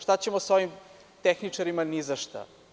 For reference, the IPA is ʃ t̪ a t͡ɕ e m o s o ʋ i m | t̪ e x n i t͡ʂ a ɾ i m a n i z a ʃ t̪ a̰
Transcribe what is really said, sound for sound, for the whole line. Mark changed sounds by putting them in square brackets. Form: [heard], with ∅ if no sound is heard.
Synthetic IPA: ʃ t̪ a t͡ɕ e m o s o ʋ i m | t̪ e x n i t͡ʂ a ɾ i m a n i z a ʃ t̪ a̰